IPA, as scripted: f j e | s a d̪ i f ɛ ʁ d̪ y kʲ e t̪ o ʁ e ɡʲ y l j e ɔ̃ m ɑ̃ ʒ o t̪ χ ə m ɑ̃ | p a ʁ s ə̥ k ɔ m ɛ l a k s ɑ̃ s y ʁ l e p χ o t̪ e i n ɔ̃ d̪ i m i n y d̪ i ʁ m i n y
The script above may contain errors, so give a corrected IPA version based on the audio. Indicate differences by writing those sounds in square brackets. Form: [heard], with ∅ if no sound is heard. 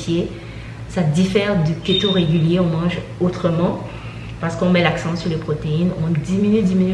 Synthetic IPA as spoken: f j e | s a d̪ i f ɛ ʁ d̪ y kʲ e t̪ o ʁ e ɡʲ y l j e ɔ̃ m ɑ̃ ʒ o t̪ χ ə m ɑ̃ | p a ʁ s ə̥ k [ɔ̃] m ɛ l a k s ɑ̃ s y ʁ l e p χ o t̪ e i n ɔ̃ d̪ i m i n y d̪ i [∅] m i n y